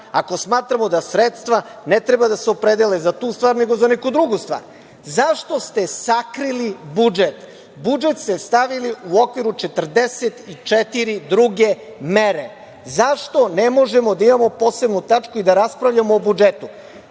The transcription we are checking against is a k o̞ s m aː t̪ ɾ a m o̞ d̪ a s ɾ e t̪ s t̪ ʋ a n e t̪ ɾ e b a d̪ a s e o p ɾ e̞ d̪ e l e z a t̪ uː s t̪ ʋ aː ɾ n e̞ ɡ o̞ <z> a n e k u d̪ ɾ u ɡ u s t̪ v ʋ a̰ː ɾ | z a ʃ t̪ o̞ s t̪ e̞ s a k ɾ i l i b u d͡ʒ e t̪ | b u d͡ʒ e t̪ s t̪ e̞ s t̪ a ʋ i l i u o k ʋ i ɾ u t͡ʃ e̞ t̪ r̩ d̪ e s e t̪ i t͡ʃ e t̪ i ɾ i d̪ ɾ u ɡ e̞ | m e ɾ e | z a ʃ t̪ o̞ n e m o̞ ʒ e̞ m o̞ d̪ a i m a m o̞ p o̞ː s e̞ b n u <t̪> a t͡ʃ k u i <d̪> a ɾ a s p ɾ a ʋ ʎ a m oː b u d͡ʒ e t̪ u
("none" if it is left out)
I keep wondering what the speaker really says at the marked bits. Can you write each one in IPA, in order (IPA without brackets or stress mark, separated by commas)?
z, t̪, d̪